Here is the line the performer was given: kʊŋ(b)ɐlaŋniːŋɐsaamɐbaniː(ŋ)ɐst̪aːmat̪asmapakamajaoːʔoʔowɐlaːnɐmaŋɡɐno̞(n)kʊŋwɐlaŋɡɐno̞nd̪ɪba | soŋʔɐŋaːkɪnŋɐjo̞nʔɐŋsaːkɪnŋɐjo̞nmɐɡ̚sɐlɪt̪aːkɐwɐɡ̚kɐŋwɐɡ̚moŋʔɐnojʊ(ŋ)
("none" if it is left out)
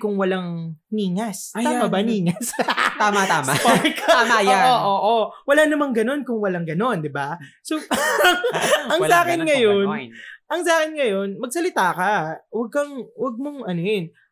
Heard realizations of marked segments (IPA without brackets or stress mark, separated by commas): w, ŋ, n, n